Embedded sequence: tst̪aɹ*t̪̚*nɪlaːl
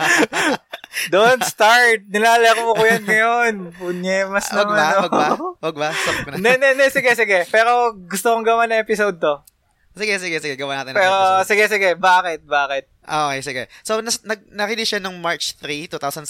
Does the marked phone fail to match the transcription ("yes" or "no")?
no